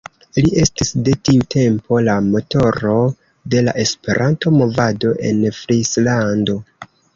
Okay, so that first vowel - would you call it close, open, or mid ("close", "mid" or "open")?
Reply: close